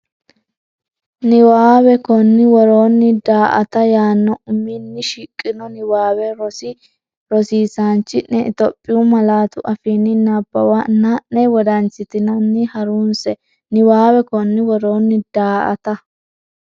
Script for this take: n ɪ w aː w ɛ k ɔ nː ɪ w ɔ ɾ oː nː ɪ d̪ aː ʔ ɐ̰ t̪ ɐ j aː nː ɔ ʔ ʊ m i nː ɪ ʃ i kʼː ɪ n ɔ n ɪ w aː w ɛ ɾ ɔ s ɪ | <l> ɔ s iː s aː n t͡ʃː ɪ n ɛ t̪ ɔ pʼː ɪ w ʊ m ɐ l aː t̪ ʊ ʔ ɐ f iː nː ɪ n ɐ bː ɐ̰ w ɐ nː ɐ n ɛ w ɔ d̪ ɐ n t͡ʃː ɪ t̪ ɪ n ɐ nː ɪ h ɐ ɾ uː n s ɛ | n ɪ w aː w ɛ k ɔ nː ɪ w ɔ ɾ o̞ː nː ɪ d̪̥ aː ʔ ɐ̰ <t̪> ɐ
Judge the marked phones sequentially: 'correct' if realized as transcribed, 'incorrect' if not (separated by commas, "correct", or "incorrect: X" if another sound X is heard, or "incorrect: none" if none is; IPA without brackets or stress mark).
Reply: incorrect: ɾ, correct